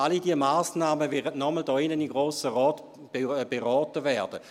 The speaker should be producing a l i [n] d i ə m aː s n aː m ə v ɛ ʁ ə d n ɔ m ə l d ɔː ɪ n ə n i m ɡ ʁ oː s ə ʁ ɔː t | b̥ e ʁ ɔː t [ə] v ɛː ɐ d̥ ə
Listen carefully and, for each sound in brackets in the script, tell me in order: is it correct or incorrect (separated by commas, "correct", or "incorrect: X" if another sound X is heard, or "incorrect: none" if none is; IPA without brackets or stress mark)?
incorrect: none, correct